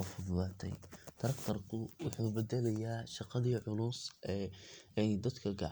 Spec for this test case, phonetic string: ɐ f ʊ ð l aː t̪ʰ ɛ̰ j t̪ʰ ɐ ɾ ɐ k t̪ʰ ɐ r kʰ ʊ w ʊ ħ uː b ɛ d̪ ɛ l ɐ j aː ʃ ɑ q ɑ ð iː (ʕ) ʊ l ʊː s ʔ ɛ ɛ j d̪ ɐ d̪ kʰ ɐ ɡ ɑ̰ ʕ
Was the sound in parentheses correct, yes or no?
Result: yes